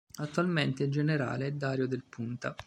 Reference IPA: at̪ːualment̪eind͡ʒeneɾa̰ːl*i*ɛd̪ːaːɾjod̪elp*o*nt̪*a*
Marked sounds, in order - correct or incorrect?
incorrect: e, incorrect: u, correct

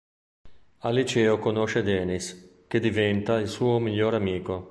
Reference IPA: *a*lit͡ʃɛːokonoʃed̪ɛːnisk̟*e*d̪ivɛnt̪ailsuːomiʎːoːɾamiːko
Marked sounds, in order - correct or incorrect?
correct, correct

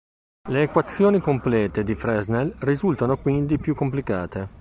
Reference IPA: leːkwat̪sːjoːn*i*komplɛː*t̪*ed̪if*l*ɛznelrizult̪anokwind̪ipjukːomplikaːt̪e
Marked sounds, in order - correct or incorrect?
correct, correct, incorrect: ɾ

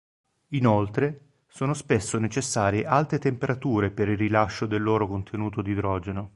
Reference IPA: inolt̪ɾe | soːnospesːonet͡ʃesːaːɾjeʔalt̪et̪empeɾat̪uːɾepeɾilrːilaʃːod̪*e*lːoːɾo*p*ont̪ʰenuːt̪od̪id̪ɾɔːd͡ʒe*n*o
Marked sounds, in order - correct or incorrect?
correct, incorrect: k, correct

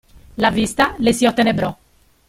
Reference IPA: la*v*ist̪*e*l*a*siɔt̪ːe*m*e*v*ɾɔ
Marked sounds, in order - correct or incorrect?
correct, incorrect: a, incorrect: e, incorrect: n, incorrect: b

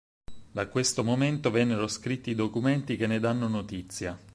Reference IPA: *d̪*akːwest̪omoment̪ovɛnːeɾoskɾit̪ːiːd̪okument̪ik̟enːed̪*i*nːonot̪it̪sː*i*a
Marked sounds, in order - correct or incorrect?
correct, incorrect: a, incorrect: j

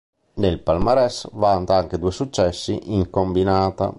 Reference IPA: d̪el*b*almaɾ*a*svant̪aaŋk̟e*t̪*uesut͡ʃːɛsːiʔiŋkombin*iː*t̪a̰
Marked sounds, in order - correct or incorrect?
incorrect: p, incorrect: ɛ, incorrect: d̪, incorrect: aː

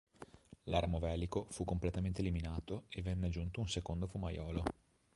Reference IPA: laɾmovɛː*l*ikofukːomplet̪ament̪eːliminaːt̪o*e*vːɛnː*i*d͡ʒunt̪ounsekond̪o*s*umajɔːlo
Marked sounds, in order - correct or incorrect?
correct, correct, incorrect: e, incorrect: f

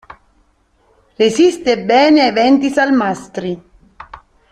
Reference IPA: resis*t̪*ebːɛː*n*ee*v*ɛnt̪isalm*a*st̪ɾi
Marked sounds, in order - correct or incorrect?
correct, correct, correct, correct

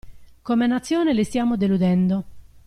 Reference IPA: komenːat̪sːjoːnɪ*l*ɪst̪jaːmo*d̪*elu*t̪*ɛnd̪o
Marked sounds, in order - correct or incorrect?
correct, correct, incorrect: d̪

